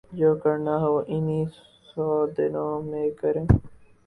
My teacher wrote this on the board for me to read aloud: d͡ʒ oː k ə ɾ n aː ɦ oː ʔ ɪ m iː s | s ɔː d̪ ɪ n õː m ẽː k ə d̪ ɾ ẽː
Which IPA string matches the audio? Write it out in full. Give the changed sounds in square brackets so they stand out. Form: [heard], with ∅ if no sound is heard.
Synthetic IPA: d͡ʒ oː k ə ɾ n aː ɦ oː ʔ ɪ [n] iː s | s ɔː d̪ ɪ n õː m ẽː k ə [∅] ɾ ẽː

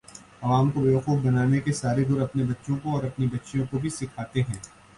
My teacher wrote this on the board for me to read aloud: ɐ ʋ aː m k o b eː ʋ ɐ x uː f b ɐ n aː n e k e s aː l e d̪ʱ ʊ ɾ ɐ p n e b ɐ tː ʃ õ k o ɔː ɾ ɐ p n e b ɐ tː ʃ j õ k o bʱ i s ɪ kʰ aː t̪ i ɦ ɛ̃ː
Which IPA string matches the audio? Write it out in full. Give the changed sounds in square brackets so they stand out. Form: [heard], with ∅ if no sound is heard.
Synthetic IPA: ɐ ʋ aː m k o b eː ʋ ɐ x uː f b ɐ n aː n e k e s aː [ɾ] e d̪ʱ ʊ ɾ ɐ p n e b ɐ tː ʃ õ k o ɔː ɾ ɐ p n [i] b ɐ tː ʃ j õ k o bʱ i s ɪ kʰ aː t̪ [e] ɦ ɛ̃ː

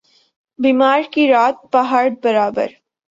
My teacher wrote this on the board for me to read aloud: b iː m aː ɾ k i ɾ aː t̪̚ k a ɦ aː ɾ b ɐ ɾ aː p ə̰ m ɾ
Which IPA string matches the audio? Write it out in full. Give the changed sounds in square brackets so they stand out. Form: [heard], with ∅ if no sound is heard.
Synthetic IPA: b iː m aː ɾ k i ɾ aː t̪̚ [p] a ɦ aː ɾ b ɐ ɾ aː [b] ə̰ [∅] ɾ

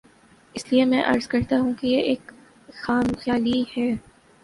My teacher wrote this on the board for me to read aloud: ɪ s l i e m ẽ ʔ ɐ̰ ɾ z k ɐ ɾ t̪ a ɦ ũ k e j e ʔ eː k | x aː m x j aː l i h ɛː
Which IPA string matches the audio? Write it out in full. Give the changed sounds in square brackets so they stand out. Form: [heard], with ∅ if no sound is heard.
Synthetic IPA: ɪ s l i e m [ɛ̃] ʔ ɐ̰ ɾ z k ɐ ɾ t̪ a ɦ ũ k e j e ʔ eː k | x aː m x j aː l i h ɛː

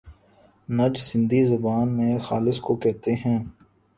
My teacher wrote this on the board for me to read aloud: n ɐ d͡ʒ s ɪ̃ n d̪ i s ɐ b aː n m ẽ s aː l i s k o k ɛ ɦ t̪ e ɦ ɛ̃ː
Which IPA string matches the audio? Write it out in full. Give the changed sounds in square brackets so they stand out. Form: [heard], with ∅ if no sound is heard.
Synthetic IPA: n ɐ d͡ʒ s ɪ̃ n d̪ i [z] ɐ b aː n m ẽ [x] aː l [ɪ] s k o k ɛ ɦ t̪ e ɦ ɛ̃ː

